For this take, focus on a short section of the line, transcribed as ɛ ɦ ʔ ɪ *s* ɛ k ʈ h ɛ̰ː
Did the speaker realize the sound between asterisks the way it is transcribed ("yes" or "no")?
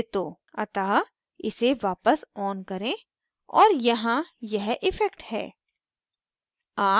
no